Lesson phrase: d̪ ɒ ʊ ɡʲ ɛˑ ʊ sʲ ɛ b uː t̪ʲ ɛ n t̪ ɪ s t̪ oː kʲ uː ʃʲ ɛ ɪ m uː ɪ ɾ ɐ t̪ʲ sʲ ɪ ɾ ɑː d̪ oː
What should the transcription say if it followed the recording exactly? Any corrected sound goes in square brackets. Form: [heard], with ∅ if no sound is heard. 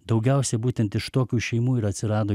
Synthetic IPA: d̪ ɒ ʊ ɡʲ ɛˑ ʊ sʲ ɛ b uː t̪ʲ ɛ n t̪ ɪ [ʃ] t̪ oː kʲ uː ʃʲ ɛ ɪ m uː ɪ ɾ ɐ t̪ʲ sʲ ɪ ɾ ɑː d̪ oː